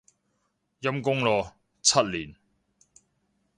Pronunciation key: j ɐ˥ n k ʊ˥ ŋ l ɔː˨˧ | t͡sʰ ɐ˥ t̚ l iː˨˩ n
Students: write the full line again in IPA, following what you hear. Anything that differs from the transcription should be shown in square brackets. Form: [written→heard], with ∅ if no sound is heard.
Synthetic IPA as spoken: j ɐ˥ [n→m] k ʊ˥ ŋ l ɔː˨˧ | t͡sʰ ɐ˥ t̚ l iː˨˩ n